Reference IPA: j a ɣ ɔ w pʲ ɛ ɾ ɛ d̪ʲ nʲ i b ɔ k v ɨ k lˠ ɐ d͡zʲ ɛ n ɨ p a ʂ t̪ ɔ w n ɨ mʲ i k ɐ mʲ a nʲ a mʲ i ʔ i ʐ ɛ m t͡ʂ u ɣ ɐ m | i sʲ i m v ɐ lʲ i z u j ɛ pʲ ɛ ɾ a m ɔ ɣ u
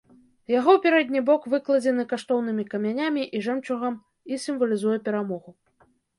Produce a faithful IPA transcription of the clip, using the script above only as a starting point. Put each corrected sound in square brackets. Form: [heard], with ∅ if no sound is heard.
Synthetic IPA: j a ɣ ɔ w pʲ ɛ ɾ ɛ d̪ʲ nʲ i b ɔ k v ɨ k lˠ ɐ d͡zʲ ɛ n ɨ [k] a ʂ t̪ ɔ w n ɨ mʲ i k ɐ mʲ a nʲ a mʲ i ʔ i ʐ ɛ m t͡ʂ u ɣ ɐ m | i sʲ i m v ɐ lʲ i z u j ɛ pʲ ɛ ɾ a m ɔ ɣ u